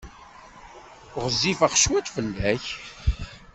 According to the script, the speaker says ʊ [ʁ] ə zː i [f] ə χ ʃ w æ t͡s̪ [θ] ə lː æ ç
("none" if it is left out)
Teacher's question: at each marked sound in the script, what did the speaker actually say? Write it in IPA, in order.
ʁ, f, f

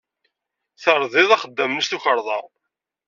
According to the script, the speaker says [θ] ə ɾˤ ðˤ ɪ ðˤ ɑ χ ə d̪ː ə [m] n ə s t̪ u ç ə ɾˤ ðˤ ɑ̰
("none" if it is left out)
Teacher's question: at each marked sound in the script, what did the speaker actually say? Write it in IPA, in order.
θ, m

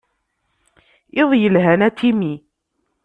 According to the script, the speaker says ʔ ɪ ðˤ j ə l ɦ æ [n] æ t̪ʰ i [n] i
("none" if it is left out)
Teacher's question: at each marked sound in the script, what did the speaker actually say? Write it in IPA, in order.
n, m

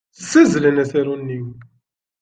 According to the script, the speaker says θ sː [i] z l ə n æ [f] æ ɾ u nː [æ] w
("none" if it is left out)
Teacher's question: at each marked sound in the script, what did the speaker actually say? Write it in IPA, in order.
æ, θ, i

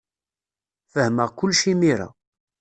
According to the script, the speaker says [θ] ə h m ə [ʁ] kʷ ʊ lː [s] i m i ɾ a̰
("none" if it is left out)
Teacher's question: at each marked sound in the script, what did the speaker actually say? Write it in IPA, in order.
f, ʁ, ʃ

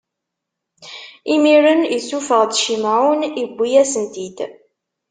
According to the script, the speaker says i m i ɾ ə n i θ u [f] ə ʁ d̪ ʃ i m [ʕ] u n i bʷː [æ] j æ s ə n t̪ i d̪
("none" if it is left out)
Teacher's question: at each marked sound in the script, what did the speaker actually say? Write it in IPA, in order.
f, ʕ, i

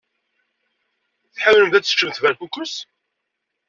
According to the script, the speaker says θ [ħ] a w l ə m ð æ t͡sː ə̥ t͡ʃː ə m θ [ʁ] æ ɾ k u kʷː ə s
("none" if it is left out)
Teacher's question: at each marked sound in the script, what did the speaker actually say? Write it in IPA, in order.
ħ, v

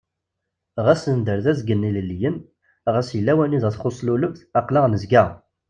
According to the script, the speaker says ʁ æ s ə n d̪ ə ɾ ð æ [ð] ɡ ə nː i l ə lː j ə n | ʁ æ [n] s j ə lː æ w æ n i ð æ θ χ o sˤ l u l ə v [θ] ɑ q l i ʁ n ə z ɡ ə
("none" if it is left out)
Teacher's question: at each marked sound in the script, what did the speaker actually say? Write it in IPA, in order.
z, none, θ

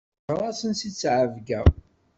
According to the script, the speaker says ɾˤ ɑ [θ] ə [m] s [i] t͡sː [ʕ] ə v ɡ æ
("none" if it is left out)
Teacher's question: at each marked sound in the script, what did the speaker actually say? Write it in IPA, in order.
s, n, i, ʕ

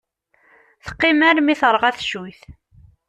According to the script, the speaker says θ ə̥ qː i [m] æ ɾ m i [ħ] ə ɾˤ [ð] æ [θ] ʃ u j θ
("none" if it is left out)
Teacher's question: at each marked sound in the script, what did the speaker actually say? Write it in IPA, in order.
m, θ, ʁ, θ

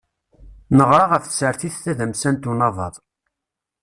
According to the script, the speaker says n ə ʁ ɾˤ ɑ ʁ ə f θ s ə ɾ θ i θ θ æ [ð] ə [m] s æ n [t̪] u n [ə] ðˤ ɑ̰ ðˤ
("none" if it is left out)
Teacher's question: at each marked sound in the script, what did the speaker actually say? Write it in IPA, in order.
ð, m, t̪, ɑ

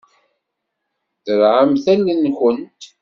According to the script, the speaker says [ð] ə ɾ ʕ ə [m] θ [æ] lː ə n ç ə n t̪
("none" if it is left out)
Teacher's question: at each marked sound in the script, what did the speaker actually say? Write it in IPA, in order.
θ, m, æ

